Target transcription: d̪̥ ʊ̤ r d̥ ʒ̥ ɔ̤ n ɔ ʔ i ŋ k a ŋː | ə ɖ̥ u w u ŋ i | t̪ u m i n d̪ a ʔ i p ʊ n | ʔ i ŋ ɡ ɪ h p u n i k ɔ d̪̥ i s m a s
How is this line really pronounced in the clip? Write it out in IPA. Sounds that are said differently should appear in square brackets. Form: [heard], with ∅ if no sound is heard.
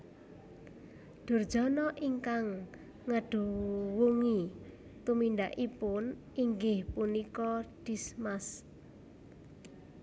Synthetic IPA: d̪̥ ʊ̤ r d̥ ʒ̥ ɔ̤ n ɔ ʔ i ŋ k a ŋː | ə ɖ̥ u w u ŋ i | t̪ u m i n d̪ a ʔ i p ʊ n | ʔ i ŋ ɡ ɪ h p u n i k ɔ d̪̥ i s m a s